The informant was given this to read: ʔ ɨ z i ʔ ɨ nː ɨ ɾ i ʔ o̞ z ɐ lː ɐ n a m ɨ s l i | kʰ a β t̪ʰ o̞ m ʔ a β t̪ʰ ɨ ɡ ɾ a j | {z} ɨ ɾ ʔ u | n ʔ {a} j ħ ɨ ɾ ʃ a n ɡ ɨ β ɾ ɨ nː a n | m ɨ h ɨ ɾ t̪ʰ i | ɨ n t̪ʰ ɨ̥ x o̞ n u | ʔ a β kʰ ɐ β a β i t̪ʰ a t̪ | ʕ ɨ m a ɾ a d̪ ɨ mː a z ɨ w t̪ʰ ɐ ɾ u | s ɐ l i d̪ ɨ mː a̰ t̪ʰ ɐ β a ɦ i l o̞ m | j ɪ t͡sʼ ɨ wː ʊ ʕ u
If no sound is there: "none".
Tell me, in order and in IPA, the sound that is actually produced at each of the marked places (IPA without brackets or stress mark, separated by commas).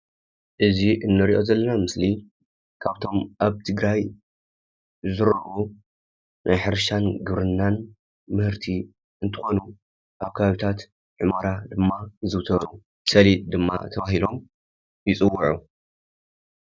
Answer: z, a